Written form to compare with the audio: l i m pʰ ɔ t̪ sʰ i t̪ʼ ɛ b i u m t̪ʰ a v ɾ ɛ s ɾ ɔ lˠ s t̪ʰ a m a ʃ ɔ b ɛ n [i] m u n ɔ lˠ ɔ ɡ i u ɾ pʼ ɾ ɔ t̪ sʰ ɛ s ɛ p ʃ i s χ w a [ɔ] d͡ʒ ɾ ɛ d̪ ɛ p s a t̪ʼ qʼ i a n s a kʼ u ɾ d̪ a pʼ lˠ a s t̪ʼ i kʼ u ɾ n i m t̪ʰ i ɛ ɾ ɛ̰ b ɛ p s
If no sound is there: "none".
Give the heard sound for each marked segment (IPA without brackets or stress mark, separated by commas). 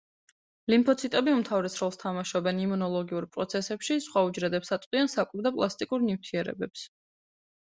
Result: i, u